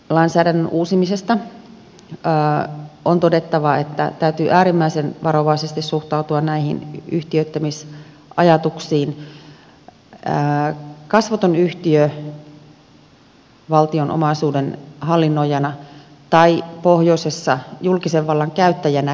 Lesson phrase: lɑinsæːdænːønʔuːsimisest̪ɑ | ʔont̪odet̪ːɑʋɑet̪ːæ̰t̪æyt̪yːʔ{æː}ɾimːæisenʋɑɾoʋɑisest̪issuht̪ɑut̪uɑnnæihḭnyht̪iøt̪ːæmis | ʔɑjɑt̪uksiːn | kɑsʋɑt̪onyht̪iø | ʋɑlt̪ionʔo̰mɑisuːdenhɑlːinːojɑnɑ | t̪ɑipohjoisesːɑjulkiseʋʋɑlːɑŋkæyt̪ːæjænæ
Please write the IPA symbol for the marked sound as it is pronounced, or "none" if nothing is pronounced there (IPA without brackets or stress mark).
æː